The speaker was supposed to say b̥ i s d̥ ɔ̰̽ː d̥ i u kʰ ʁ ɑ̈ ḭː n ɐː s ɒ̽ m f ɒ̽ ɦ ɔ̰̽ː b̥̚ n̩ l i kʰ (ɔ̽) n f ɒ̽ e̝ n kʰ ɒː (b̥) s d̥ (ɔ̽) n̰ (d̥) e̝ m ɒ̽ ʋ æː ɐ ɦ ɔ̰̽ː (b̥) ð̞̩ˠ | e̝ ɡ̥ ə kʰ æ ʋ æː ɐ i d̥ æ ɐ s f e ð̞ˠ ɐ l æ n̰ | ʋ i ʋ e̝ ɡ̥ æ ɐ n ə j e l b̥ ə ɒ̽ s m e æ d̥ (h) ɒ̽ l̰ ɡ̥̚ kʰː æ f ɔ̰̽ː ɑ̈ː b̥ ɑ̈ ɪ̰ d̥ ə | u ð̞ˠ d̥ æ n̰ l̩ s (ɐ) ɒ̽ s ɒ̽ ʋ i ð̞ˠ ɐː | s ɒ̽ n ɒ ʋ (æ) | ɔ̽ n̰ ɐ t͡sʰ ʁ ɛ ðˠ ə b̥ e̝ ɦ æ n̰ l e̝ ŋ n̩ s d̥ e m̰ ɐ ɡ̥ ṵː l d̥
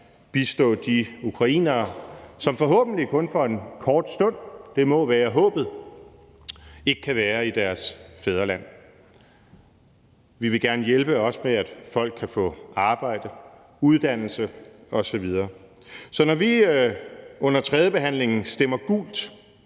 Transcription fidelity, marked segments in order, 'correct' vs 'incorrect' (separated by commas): correct, incorrect, correct, correct, correct, incorrect, incorrect, incorrect